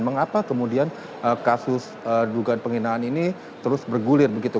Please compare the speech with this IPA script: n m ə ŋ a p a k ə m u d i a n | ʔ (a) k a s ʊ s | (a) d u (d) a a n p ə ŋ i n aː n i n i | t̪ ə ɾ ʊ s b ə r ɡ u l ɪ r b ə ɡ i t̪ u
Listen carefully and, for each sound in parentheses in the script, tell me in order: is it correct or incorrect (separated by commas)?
incorrect, incorrect, incorrect